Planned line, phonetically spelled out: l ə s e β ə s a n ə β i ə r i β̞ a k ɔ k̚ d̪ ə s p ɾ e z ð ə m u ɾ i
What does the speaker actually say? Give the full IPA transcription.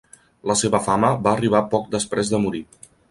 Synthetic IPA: l ə s e β ə f a m ə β a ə r i β̞ a p ɔ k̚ d̪ ə s p ɾ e z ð ə m u ɾ i